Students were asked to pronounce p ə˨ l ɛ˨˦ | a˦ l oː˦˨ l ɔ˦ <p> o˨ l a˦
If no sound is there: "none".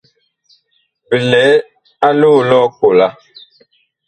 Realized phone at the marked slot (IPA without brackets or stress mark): k